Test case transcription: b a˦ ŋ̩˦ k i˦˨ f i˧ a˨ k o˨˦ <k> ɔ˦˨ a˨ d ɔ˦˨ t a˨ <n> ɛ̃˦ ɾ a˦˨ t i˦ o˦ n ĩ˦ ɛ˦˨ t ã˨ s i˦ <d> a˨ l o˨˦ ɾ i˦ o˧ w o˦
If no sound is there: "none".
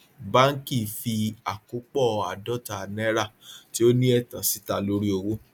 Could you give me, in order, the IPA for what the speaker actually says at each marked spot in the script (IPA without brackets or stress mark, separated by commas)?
k͡p, n, t